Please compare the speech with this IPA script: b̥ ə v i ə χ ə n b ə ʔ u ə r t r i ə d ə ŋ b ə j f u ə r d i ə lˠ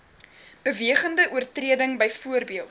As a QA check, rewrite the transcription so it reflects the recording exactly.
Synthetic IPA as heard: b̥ ə v i ə χ ə n d ə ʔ u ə r t r i ə d ə ŋ b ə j f u ə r b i ə lˠ

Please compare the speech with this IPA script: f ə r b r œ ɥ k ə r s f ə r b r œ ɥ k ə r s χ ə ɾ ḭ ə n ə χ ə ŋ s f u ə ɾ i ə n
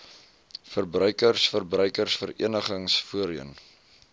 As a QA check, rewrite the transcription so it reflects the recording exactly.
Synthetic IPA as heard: f ə r b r œ ɥ k ə r s f ə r b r œ ɥ k ə r s f ə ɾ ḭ ə n ə χ ə ŋ s f u ə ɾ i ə n

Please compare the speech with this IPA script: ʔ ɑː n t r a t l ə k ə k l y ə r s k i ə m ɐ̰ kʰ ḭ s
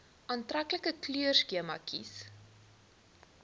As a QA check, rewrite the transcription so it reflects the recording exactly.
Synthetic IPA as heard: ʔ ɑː n t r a k l ə k ə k l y ə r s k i ə m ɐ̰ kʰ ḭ s

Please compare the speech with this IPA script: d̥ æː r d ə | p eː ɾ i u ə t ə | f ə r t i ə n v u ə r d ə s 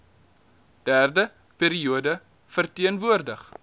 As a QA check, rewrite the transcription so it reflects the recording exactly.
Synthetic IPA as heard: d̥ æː r d ə | p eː ɾ i u ə d ə | f ə r t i ə n v u ə r d ə χ

